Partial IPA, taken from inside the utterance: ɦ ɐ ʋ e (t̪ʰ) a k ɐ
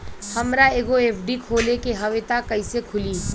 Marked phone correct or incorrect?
incorrect